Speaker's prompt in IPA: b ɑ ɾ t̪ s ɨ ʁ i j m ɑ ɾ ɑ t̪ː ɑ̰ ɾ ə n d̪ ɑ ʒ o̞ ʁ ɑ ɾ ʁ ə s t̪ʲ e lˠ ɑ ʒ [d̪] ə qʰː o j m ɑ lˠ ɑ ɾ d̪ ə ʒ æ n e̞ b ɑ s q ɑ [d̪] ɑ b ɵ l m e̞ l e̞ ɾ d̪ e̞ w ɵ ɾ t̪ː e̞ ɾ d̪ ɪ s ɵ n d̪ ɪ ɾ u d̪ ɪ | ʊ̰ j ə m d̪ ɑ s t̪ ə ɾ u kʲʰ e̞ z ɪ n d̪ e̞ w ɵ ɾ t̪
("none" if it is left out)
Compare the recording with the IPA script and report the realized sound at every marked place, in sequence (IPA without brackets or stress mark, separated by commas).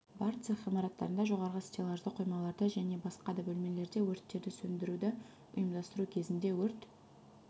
d̪, d̪